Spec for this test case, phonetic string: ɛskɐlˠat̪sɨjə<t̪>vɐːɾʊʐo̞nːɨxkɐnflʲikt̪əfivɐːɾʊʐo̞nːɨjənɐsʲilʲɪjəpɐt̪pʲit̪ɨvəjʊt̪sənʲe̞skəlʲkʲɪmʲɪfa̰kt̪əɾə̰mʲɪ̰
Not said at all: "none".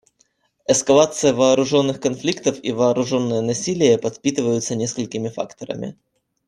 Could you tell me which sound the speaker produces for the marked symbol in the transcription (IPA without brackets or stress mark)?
none